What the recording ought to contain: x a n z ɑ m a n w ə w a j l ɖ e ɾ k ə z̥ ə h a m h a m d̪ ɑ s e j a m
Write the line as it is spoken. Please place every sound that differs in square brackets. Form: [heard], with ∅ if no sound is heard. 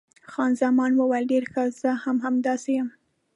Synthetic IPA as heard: x [ɑ] n z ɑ m [ɑ] n w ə w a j l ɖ e ɾ [x] ə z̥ ə h a m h a m d̪ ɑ s e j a m

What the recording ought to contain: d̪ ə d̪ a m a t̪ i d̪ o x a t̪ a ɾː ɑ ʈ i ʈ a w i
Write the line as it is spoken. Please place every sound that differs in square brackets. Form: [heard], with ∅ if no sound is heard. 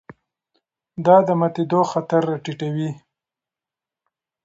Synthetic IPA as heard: d̪ [ɑ] d̪ [ə] m a t̪ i d̪ o x a t̪ a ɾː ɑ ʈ i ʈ a w i

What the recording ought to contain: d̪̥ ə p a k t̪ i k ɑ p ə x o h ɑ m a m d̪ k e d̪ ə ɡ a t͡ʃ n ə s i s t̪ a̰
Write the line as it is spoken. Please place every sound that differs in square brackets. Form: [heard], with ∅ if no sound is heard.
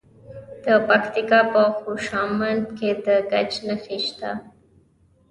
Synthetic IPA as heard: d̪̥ ə p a k t̪ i k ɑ p ə x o [ʃ] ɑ m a [n] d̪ k e d̪ ə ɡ a t͡ʃ n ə [x] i [ʃ] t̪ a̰

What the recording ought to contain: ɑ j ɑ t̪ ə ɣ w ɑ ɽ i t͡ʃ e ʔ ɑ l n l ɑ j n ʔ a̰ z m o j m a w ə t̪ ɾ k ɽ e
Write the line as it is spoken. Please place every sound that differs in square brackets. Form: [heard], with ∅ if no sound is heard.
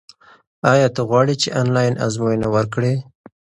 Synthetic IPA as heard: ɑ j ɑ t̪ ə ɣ w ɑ ɽ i t͡ʃ e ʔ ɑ [∅] n l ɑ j n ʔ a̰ z m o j [n] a w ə [∅] ɾ k ɽ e

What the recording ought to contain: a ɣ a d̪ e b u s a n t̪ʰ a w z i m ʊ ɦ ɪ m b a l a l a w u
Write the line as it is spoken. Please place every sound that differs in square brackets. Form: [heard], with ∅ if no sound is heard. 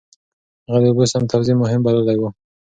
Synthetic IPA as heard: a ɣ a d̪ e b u s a [m] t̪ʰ a w z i m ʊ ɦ ɪ m b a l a l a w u

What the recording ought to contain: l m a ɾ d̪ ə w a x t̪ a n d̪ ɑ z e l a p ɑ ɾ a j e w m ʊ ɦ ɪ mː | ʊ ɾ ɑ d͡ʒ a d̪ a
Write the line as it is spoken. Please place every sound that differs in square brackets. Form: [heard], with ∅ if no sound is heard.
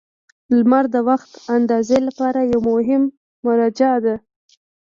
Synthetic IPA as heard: l m a ɾ d̪ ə w a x t̪ a n d̪ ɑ z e l a p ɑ ɾ a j [a] w m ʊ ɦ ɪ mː | ʊ ɾ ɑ d͡ʒ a d̪ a

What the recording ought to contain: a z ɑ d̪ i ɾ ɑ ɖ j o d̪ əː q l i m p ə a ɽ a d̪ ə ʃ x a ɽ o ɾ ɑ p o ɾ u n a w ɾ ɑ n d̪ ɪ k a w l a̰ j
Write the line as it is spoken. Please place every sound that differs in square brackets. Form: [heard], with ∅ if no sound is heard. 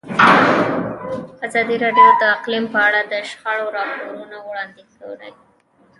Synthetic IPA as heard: a z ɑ d̪ i ɾ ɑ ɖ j o d̪ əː q l i m p ə a ɽ a d̪ ə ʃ x a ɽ o ɾ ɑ p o ɾ u n a w [ɽ] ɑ n d̪ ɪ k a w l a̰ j

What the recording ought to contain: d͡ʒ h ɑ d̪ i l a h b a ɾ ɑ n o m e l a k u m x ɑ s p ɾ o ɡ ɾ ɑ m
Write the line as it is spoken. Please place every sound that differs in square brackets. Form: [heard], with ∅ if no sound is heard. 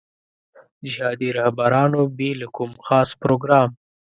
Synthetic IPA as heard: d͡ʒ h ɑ d̪ i [ɾ] a h b a ɾ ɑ n o [b] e l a k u m x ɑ s p ɾ o ɡ ɾ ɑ m

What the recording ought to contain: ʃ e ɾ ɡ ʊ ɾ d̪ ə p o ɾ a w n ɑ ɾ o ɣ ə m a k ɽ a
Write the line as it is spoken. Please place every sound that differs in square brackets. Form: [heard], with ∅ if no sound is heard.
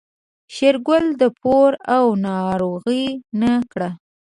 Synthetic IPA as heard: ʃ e ɾ ɡ ʊ [l] d̪ ə p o ɾ a w n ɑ ɾ o ɣ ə [n] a k ɽ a

